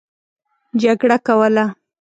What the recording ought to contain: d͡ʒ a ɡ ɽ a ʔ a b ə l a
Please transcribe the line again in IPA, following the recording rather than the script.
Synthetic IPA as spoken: d͡ʒ a ɡ ɽ a k a w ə l a

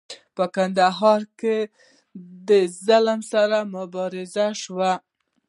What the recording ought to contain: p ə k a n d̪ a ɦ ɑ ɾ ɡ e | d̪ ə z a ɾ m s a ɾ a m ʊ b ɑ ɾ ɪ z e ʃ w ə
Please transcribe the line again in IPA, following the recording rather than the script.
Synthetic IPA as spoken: p ə k a n d̪ a ɦ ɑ ɾ k e | d̪ ə z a l m s a ɾ a m ʊ b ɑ ɾ ɪ z a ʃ w a

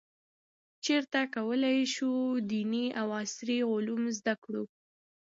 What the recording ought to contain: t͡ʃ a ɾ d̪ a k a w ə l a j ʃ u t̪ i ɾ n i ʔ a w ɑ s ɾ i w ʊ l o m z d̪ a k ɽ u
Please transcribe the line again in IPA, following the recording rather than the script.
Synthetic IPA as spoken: t͡ʃ e ɾ t̪ a k a w ə l a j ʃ u d̪ i n i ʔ a w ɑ s ɾ i ɣ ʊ l u m z d̪ a k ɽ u

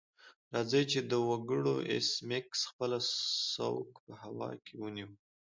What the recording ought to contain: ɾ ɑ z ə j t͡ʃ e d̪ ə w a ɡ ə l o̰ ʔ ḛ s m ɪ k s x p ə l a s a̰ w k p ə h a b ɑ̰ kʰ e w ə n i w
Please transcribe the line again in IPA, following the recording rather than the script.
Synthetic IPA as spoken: ɾ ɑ z ə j t͡ʃ e d̪ ə w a ɡ ə ɽ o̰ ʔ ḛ s m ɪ k s x p ə l a s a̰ w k p ə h a w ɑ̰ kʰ e w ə n i w

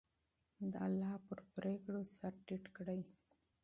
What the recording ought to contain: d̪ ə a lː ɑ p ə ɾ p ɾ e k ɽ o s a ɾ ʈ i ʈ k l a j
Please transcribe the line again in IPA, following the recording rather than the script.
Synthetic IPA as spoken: d̪ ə a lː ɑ p ə ɾ p ɾ e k ɽ o s a ɾ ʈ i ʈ k ɽ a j

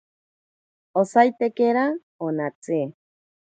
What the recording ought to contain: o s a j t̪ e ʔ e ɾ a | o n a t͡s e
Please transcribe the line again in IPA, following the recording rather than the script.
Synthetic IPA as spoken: o s a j t̪ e k e ɾ a | o n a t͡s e

